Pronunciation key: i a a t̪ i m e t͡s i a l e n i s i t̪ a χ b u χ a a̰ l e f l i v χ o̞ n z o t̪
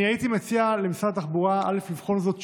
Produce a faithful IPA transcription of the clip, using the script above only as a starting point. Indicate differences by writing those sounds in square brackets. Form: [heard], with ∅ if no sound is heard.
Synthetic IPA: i a [i] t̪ i m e t͡s i a l e [m] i s [a] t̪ a χ b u [ʁ] a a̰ l e f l i v χ o̞ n z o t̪